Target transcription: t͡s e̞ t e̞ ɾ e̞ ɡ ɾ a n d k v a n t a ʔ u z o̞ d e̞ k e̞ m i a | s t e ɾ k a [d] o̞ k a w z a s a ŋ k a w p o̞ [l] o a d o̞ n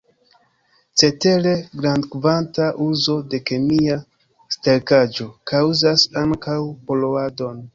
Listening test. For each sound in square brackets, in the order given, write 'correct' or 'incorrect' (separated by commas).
incorrect, correct